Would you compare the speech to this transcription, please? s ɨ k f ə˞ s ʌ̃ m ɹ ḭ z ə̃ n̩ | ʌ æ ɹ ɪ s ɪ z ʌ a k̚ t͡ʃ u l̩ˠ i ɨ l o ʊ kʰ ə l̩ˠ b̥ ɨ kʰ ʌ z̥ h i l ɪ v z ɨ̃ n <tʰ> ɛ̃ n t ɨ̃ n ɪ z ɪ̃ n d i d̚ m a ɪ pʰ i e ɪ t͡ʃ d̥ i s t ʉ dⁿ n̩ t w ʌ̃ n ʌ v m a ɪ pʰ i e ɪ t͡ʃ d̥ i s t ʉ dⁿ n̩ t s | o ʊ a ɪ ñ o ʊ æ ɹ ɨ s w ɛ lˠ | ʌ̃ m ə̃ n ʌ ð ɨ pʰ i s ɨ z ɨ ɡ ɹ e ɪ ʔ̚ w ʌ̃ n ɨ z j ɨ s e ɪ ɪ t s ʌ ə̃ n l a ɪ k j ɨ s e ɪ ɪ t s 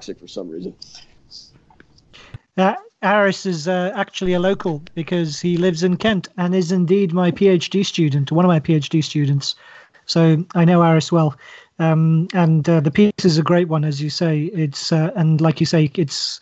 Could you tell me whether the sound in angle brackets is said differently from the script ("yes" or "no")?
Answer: yes